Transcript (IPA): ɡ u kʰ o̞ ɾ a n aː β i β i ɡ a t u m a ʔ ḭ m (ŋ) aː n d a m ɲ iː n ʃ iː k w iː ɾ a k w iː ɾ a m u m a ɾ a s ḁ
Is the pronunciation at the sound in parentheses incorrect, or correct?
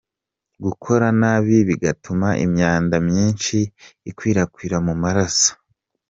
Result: incorrect: ɲ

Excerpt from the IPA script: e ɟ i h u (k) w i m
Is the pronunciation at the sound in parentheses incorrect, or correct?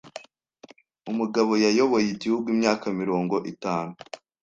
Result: incorrect: ɡ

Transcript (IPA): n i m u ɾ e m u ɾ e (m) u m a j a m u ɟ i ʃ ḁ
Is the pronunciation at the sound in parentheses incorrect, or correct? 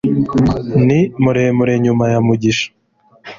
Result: incorrect: ɲ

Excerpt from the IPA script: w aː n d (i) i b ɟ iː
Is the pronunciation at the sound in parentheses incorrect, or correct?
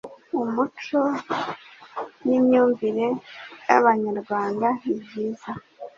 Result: incorrect: a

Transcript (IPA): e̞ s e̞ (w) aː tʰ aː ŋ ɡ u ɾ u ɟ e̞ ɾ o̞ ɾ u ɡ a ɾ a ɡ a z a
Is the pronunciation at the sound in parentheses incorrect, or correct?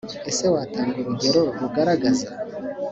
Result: correct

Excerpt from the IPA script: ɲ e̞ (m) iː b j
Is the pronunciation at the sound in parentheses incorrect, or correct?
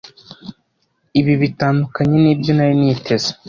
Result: incorrect: n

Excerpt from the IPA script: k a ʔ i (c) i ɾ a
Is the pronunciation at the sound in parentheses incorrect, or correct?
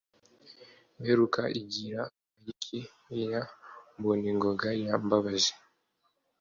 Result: incorrect: ɟ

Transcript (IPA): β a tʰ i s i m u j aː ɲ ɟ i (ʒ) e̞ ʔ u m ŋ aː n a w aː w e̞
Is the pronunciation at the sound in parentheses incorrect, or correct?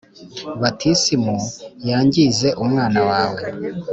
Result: incorrect: z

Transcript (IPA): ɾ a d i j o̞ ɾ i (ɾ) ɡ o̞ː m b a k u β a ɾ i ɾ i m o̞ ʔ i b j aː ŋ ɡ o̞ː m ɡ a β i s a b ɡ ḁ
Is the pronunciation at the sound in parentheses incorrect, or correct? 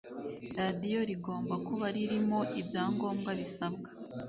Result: incorrect: none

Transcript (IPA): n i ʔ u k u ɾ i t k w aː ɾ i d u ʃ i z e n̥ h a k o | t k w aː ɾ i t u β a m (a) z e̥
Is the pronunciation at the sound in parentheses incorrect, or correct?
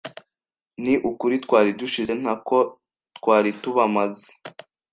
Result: correct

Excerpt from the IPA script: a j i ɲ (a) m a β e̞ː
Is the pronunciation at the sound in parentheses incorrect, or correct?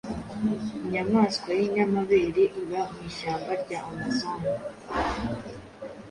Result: correct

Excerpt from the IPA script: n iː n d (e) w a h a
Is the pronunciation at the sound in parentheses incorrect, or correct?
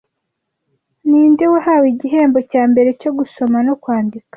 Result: correct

